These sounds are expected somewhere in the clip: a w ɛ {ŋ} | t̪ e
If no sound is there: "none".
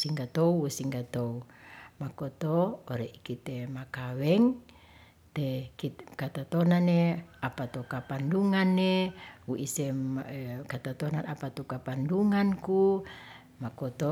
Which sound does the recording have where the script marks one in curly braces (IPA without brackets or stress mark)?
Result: ŋ